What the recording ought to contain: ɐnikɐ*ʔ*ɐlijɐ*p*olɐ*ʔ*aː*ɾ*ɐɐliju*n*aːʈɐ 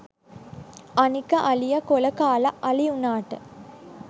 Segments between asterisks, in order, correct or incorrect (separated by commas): correct, incorrect, incorrect, incorrect, correct